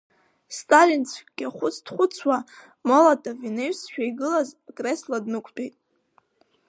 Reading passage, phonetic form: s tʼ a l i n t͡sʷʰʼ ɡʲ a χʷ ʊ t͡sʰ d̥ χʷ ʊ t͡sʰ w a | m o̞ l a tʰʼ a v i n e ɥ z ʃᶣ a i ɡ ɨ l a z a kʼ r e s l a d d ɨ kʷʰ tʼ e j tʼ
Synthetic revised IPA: s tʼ a l i n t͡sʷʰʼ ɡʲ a χʷ ʊ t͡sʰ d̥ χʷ ʊ t͡sʰ w a | m o̞ l a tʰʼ a v i n e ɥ s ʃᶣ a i ɡ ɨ l a z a kʼ r e s l a d n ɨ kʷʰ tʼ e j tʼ